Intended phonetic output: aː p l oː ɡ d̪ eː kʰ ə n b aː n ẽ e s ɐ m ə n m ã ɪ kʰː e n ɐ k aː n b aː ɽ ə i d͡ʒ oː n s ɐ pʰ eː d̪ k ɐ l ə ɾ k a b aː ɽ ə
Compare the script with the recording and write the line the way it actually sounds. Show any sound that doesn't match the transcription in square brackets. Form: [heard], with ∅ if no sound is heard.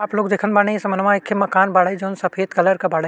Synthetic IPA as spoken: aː p l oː ɡ d̪ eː kʰ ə n b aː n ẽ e s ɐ m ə n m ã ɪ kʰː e [m] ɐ k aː n b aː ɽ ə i d͡ʒ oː n s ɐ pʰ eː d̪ k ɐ l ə ɾ k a b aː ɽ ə